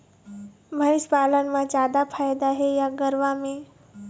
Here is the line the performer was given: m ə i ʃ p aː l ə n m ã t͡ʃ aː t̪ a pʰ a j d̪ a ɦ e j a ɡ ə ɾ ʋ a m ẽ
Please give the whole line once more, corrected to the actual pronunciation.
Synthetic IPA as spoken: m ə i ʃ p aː l ə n m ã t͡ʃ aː d̪ a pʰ a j d̪ a ɦ e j a ɡ ə ɾ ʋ a m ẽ